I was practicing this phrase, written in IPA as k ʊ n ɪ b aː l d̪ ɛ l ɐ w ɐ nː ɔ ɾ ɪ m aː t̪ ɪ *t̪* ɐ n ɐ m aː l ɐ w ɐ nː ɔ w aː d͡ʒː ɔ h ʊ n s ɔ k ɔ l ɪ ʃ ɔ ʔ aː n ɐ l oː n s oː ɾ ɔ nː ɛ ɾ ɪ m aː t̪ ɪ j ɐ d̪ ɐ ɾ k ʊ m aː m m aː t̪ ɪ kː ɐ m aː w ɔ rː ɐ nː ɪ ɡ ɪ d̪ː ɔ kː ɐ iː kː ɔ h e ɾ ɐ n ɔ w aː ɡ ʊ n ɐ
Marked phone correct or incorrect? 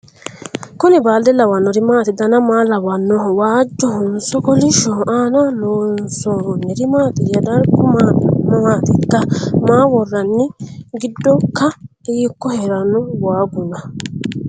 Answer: incorrect: d̪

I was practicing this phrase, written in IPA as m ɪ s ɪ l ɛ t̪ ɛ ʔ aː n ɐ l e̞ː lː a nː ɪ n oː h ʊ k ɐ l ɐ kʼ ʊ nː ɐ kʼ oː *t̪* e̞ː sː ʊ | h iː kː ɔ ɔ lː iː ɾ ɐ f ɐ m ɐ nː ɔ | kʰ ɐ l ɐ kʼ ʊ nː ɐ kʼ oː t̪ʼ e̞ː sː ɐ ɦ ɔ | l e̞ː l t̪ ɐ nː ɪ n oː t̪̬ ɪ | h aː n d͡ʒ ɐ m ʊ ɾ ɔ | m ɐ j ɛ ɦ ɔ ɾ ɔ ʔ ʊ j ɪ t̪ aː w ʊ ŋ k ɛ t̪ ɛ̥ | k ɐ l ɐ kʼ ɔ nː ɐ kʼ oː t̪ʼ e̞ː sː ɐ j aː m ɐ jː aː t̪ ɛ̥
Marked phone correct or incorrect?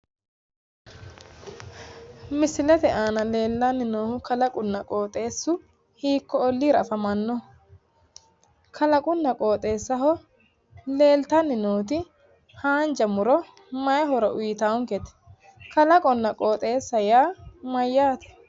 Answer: incorrect: t̪ʼ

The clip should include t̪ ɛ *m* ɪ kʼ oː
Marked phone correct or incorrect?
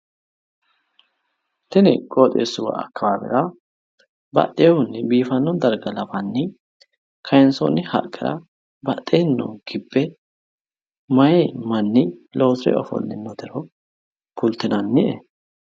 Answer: incorrect: n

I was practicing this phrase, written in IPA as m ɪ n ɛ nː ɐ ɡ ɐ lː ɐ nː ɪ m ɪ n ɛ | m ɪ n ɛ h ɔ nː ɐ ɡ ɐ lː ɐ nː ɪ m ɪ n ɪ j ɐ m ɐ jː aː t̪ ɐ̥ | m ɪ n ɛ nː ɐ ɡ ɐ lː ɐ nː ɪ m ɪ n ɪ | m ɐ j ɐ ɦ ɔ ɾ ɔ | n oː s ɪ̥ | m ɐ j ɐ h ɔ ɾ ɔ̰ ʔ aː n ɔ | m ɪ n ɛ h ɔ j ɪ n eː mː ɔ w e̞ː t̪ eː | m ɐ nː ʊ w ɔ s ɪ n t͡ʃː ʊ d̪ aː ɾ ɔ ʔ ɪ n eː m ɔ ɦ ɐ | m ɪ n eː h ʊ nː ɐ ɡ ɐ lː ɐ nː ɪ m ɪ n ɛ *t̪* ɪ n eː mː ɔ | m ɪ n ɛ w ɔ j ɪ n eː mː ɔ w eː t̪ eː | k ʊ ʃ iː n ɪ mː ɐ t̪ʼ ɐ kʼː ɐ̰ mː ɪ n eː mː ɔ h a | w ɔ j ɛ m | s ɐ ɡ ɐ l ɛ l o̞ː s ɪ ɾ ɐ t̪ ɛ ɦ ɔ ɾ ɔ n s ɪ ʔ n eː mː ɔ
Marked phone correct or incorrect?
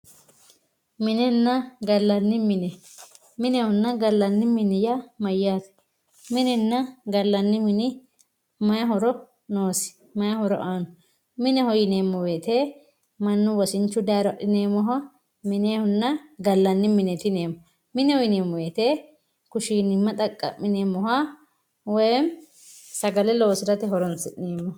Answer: correct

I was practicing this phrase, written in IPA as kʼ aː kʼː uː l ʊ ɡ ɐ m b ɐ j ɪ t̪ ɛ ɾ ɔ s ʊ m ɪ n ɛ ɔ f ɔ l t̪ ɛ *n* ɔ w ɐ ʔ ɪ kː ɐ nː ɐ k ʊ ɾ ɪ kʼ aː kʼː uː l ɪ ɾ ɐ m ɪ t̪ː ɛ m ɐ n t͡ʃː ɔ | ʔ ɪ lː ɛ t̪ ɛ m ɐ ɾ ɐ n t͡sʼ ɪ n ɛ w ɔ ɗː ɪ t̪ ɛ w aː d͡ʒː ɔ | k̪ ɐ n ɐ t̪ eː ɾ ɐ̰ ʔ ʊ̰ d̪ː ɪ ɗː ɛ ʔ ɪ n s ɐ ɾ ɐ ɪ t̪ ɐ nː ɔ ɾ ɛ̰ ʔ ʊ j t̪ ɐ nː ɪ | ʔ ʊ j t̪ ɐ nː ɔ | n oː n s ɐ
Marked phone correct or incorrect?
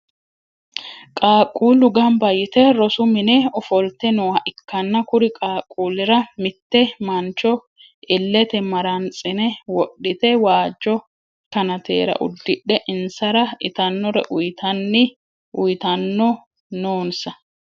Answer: correct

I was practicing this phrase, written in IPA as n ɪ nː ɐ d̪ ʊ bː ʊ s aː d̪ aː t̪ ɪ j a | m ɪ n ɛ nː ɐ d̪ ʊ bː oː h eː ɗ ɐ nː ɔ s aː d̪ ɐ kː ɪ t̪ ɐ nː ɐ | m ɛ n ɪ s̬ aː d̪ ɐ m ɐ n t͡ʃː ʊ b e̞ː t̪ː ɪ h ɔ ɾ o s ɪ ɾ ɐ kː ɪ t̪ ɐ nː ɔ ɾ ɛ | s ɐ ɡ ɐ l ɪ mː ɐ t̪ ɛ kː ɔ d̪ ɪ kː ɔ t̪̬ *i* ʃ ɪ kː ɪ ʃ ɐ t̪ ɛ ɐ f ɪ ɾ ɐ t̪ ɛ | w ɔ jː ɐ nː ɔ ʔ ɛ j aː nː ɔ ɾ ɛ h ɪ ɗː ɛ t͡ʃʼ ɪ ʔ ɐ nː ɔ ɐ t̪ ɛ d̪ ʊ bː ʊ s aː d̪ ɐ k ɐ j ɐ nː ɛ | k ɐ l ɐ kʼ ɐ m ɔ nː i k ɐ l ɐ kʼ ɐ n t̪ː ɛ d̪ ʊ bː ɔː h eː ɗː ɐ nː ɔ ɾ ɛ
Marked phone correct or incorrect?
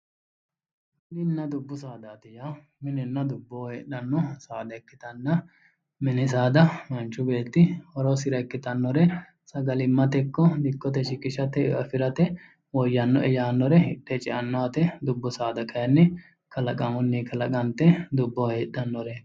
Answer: incorrect: ɛ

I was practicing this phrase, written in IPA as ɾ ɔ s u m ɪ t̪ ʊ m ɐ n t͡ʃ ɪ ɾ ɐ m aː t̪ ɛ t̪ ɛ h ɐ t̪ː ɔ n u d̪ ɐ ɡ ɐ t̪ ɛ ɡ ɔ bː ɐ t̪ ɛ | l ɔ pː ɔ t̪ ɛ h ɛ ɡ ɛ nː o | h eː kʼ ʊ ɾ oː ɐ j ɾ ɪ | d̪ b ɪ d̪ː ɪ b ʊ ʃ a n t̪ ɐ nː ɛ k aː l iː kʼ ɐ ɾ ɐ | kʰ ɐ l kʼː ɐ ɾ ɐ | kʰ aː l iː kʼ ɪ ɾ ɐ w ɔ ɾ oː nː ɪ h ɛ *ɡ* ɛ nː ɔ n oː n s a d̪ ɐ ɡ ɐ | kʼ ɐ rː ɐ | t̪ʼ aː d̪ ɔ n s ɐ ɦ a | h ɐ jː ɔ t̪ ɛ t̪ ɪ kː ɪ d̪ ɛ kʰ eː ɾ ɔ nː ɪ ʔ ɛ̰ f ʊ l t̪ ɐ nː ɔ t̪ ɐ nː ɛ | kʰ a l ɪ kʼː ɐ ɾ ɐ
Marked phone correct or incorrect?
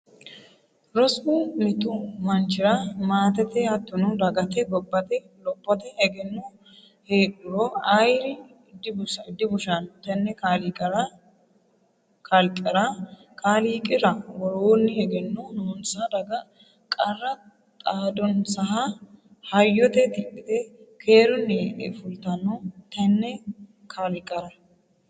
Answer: correct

